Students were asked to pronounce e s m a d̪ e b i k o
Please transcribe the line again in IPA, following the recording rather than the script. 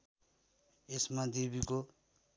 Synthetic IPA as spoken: e s m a d̪ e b i k o